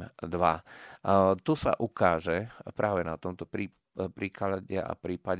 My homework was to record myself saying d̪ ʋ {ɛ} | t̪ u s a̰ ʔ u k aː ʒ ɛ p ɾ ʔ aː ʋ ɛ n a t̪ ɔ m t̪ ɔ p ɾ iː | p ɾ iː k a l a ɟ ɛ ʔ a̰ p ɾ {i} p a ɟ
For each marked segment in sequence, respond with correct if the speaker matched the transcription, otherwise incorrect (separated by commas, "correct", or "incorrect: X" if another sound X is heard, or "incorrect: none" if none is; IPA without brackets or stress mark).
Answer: incorrect: a, incorrect: iː